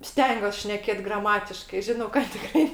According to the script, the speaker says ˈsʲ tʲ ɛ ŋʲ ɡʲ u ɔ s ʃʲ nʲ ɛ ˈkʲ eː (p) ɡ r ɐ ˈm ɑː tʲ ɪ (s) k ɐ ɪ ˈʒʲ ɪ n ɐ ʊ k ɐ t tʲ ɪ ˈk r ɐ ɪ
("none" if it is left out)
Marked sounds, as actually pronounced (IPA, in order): t, ʃ

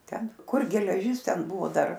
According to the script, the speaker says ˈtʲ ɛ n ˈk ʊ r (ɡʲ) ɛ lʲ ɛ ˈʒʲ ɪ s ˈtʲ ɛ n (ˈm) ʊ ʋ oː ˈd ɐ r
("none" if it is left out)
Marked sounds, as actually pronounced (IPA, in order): ɡʲ, b

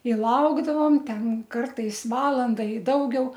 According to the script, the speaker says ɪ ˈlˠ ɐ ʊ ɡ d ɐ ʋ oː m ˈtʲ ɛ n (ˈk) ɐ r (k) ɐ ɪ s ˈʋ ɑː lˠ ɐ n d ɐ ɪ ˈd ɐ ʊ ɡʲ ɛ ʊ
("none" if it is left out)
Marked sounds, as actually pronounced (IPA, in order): k, t

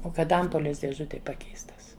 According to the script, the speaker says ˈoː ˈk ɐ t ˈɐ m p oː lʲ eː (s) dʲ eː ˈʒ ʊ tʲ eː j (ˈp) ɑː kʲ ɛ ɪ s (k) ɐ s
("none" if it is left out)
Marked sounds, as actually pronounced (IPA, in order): s, p, t

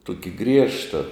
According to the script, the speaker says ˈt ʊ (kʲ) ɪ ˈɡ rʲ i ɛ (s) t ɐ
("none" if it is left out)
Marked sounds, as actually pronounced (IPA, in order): kʲ, ʃ

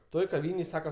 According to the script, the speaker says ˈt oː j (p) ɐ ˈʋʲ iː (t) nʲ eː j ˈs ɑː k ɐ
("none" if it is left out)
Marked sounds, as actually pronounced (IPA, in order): k, none

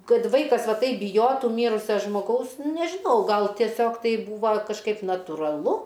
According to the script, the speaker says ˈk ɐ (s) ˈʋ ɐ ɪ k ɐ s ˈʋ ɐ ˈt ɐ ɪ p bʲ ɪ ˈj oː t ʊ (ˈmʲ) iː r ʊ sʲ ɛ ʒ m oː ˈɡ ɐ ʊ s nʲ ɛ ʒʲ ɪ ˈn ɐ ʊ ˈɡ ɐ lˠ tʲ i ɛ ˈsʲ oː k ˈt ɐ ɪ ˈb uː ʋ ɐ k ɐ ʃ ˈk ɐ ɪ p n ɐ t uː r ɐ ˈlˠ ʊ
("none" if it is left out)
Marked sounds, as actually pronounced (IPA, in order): t, mʲ

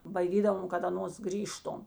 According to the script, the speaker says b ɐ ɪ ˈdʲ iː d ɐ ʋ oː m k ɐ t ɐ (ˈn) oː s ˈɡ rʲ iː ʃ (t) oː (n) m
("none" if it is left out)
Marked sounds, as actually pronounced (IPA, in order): n, t, none

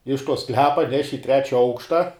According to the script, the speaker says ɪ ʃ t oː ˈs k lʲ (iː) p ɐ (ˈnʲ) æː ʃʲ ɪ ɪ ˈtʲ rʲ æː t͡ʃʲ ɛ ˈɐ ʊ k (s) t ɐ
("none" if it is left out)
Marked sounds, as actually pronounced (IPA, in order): æː, nʲ, ʃ

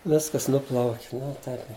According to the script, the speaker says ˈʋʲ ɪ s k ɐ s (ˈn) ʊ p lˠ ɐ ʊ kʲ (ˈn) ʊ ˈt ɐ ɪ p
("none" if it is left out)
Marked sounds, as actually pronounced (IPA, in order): n, n

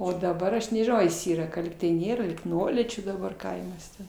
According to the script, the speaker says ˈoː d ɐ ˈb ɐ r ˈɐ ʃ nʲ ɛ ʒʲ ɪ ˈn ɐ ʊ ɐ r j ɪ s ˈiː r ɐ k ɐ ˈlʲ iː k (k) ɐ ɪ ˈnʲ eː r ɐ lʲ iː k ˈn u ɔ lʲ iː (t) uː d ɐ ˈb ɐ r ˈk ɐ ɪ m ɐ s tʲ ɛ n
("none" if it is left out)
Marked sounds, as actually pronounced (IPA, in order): t, t͡ʃʲ

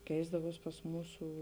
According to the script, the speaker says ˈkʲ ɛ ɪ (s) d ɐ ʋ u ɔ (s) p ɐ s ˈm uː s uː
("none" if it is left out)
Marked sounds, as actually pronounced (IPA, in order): z, s

